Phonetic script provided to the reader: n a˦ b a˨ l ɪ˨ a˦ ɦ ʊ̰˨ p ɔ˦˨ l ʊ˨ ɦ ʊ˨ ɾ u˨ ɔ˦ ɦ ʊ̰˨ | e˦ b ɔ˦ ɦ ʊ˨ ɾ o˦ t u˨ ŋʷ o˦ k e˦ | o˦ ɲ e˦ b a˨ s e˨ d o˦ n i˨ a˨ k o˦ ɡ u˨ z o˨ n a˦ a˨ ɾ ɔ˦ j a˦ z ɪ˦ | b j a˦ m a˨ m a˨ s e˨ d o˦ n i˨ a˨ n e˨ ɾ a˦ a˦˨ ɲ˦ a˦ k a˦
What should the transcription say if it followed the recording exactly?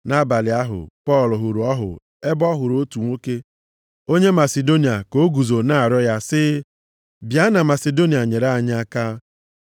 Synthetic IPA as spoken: n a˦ b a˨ l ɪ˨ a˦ ɦ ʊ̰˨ p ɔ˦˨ l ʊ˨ ɦ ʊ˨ ɾ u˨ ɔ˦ ɦ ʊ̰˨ | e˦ b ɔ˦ ɦ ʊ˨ ɾ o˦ t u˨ ŋʷ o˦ k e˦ | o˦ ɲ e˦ m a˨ s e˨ d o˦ n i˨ a˨ k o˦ ɡ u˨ z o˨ n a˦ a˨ ɾ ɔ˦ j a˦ s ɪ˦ | b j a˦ n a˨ m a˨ s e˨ d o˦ n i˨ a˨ ɲ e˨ ɾ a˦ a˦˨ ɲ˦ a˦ k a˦

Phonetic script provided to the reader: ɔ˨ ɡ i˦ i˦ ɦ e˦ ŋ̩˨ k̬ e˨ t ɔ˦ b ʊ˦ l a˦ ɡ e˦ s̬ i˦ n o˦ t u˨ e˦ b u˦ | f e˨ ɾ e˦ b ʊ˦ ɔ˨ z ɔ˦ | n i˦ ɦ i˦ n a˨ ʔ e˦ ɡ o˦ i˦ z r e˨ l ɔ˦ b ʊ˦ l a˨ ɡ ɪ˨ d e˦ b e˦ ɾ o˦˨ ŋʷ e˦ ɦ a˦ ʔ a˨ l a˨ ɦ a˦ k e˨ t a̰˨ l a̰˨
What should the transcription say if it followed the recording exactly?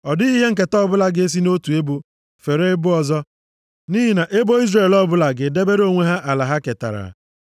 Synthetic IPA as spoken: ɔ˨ d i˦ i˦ ɦ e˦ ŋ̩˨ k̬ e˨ t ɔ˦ b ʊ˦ l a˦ ɡ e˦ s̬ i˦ n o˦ t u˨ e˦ b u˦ | f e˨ ɾ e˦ b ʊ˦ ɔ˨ z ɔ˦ | n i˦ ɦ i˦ n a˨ ʔ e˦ b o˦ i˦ z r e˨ l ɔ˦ b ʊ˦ l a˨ ɡ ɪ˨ d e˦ b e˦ ɾ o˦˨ ŋʷ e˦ ɦ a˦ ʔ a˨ l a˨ ɦ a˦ k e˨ t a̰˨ ɾ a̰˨

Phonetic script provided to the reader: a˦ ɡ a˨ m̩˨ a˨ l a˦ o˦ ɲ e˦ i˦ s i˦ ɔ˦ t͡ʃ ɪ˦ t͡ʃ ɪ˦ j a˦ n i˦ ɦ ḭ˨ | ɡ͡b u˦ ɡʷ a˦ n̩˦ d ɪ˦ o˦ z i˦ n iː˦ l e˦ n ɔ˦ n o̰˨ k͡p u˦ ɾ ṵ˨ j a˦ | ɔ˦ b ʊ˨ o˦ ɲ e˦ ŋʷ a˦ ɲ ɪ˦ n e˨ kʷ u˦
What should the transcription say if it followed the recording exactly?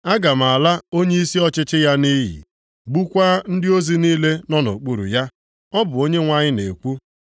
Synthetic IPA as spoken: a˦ ɡ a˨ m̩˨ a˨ l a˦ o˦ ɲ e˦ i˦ s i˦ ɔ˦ t͡ʃ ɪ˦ t͡ʃ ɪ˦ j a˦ n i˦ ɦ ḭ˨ | ɡ͡b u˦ kʷ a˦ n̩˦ d ɪ˦ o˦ z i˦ n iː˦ l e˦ n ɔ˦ n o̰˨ k͡p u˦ ɾ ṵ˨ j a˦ | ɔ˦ b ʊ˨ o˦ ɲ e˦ ŋʷ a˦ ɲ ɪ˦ n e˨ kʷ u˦

